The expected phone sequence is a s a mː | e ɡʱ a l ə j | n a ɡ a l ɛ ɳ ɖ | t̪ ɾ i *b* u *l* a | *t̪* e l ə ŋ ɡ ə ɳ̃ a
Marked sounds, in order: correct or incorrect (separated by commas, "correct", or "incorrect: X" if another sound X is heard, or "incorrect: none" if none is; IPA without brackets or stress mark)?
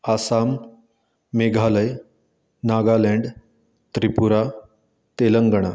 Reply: incorrect: p, incorrect: ɾ, correct